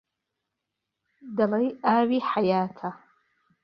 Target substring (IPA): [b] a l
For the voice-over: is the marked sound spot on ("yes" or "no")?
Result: no